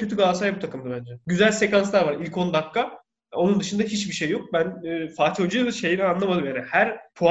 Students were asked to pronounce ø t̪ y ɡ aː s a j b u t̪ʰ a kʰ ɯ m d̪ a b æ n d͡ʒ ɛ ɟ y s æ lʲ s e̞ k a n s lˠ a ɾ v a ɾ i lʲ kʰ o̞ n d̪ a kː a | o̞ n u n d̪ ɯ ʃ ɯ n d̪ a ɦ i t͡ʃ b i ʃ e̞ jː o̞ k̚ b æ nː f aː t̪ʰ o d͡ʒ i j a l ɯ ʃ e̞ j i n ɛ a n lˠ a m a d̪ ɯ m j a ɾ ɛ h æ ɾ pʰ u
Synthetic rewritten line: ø t̪ y ɡ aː s a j b u t̪ʰ a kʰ ɯ m d̪ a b æ n d͡ʒ ɛ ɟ y z æ lʲ s e̞ k a n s lˠ a ɾ v a ɾ i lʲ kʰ o̞ n d̪ a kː a | o̞ n u n d̪ ɯ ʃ ɯ n d̪ a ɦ i t͡ʃ b i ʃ e̞ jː o̞ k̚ b æ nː f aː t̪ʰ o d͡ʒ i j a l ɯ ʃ e̞ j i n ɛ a n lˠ a m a d̪ ɯ m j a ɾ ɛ h æ ɾ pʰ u